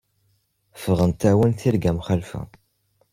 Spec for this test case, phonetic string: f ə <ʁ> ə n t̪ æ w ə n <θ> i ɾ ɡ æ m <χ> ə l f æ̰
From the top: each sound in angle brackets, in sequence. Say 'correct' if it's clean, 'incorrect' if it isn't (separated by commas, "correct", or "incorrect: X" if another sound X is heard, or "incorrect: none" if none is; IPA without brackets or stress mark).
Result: correct, correct, correct